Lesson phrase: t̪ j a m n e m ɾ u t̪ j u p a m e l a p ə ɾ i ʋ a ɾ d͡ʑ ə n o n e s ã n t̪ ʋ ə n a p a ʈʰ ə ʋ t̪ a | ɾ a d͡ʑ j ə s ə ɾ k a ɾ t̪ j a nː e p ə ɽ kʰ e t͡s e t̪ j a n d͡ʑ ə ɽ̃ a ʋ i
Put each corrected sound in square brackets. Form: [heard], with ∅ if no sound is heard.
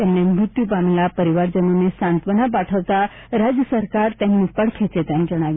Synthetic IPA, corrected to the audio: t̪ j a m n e m ɾ u t̪ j u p a m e l a p ə ɾ i ʋ a ɾ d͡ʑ ə n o n e s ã n t̪ ʋ ə n a p a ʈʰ ə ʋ t̪ a | ɾ a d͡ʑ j ə s ə ɾ k a ɾ t̪ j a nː [i] p ə ɽ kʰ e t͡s e t̪ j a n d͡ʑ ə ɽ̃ a ʋ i